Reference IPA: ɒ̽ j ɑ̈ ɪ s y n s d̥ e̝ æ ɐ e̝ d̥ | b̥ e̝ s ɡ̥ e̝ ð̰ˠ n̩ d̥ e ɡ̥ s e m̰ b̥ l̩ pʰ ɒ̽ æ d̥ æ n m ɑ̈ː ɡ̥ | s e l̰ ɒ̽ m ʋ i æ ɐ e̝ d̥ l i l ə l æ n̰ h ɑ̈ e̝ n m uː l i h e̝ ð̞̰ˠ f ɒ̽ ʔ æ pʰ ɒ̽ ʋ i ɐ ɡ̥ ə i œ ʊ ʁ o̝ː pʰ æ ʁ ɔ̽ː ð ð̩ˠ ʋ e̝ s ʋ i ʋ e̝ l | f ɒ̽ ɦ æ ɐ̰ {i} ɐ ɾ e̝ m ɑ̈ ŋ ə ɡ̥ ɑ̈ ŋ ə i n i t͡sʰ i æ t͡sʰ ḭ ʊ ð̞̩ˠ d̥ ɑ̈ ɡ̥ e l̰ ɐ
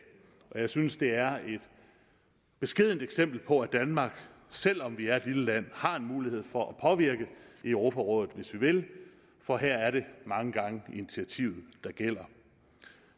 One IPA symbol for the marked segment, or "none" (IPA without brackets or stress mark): æ